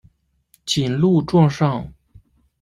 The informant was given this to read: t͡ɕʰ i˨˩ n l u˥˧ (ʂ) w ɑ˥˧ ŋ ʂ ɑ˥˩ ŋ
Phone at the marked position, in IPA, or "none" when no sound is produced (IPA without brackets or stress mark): ʈ͡ʂ